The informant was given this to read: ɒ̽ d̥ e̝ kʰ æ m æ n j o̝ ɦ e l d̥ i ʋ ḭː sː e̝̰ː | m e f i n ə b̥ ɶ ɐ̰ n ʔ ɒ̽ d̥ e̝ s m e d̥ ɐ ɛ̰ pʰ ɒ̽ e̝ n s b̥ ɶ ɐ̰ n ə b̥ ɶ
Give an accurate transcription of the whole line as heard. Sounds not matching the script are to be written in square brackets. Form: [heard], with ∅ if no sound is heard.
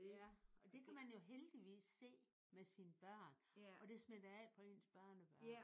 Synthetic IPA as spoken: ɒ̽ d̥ e̝ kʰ æ m æ n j o̝ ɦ e l d̥ i ʋ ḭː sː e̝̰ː | m e [s] i n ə b̥ ɶ ɐ̰ n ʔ ɒ̽ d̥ e̝ s m e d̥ ɐ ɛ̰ pʰ ɒ̽ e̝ n s b̥ ɶ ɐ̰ n ə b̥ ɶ